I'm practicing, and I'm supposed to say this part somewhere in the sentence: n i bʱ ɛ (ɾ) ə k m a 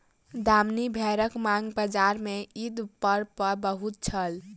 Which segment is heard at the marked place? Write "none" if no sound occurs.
ɾ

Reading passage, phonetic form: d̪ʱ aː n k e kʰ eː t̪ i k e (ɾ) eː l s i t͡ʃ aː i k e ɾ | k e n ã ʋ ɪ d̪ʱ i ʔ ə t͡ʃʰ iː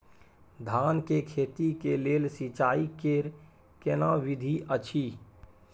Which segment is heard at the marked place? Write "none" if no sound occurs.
l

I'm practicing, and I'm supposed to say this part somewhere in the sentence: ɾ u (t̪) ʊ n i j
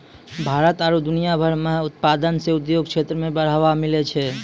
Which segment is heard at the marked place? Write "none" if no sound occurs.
d̪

